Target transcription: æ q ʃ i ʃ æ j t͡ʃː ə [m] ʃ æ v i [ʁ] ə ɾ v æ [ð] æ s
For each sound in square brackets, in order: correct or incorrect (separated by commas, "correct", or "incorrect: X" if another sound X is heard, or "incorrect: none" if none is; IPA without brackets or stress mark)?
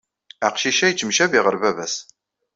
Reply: correct, correct, incorrect: v